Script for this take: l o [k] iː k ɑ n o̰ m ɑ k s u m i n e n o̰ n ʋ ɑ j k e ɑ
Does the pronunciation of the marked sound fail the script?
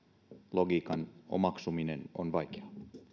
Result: yes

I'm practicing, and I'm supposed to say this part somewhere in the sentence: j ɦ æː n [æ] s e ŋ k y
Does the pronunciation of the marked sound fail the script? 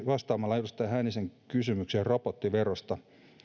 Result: yes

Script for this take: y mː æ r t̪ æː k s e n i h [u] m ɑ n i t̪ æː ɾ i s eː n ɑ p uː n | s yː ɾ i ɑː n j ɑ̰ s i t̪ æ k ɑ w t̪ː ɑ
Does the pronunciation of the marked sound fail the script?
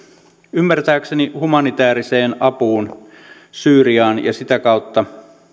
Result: no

